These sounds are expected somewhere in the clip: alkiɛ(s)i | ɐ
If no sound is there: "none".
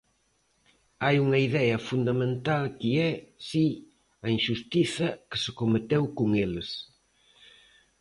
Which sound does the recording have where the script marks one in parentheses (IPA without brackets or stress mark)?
s